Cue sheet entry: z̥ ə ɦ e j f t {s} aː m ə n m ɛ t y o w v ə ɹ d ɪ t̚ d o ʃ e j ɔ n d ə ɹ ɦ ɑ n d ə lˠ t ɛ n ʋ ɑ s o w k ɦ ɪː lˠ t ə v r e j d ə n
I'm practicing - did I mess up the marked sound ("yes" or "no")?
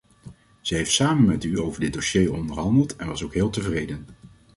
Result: no